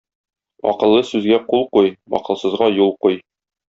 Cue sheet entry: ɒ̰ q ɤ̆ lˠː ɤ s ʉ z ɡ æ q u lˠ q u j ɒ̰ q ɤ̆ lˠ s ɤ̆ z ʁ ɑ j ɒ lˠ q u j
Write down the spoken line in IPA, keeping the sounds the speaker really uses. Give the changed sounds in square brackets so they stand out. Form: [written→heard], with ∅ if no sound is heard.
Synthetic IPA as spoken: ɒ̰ q ɤ̆ lˠː ɤ s ʉ z ɡ æ q u lˠ q u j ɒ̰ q ɤ̆ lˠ s ɤ̆ z ʁ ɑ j [ɒ→u] lˠ q u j